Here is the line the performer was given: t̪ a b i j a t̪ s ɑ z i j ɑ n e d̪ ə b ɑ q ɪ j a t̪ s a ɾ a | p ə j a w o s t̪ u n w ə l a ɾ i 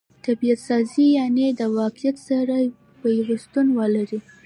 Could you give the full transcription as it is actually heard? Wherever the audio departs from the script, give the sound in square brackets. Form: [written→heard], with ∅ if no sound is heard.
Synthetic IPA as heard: t̪ a b i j a t̪ s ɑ z i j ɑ n e d̪ ə [b→w] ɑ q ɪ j a t̪ s a ɾ a | p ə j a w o s t̪ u n w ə l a ɾ i